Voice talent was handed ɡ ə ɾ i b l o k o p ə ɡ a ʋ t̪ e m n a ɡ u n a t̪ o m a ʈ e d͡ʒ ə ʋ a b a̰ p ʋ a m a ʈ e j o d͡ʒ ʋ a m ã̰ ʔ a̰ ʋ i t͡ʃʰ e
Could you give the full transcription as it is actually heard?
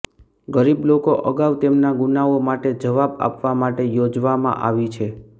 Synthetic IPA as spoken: ɡ ə ɾ i b l o k o ʔ ə ɡ a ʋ t̪ e m n a ɡ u n a o m a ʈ e d͡ʒ ə ʋ a b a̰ p ʋ a m a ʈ e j o d͡ʒ ʋ a m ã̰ ʔ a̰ ʋ i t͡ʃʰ e